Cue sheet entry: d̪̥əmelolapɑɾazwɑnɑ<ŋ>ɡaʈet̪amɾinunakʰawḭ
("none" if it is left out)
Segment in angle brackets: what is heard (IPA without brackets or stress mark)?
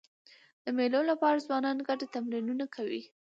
n